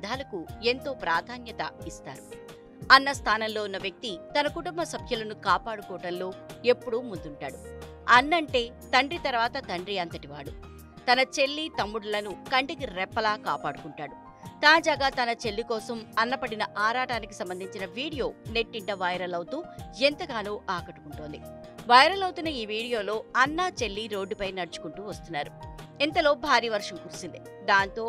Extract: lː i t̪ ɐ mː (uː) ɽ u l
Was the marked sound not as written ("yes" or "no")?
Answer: yes